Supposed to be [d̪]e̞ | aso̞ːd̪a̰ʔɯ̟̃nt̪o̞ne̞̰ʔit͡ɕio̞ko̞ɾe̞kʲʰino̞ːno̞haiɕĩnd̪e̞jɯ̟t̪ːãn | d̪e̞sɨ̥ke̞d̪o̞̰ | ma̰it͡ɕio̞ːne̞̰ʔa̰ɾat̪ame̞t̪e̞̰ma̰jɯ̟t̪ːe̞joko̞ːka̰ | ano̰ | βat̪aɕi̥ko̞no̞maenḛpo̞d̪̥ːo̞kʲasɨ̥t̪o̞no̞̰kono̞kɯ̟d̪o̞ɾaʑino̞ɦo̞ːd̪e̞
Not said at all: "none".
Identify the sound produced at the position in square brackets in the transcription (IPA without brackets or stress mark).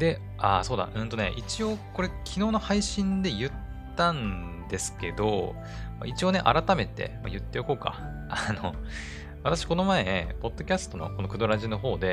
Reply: d̪